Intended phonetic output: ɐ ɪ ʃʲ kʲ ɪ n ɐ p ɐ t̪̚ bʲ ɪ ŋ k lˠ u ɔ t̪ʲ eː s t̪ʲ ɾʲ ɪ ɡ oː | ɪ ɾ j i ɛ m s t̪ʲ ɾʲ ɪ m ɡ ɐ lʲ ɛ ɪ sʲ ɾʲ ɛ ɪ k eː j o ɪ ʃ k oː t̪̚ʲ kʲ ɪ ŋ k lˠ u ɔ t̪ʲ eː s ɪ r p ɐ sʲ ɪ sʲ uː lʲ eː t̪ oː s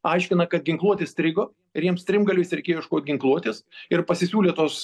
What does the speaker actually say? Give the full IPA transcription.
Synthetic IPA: ɐ ɪ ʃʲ kʲ ɪ n ɐ k ɐ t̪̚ ɡʲ ɪ ŋ k lˠ u ɔ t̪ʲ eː s t̪ʲ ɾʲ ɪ ɡ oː | ɪ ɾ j i ɛ m s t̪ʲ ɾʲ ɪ m ɡ ɐ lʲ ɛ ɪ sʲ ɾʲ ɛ ɪ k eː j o ɪ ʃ k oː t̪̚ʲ ɡʲ ɪ ŋ k lˠ u ɔ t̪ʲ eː s ɪ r p ɐ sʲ ɪ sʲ uː lʲ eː t̪ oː s